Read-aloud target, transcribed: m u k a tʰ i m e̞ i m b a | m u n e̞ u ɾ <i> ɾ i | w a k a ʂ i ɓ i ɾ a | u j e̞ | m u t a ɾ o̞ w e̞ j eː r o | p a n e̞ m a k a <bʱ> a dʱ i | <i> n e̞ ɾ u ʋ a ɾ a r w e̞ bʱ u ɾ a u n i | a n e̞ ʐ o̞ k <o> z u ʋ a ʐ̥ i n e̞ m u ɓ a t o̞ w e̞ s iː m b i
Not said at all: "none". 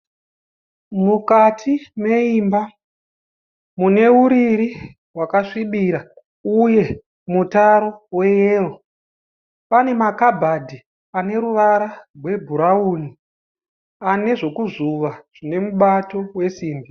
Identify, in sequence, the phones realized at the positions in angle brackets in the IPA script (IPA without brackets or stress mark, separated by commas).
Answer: i, bʱ, a, u